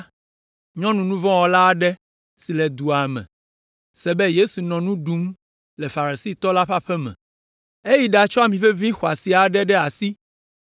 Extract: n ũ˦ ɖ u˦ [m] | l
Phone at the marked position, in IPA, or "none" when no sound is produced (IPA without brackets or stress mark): m